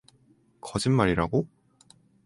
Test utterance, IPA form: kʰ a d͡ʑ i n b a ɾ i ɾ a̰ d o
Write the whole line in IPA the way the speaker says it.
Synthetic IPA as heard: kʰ ʌ d͡ʑ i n m a ɾ i ɾ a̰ ɡ o